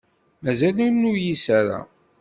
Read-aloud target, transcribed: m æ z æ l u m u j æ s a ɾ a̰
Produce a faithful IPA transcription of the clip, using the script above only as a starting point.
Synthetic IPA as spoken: m æ z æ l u n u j i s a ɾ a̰